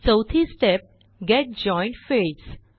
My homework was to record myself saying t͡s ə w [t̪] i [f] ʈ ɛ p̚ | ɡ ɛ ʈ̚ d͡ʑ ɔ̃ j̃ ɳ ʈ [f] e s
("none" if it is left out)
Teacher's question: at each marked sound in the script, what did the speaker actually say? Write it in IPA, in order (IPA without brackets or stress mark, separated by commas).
t̪ʰ, s, f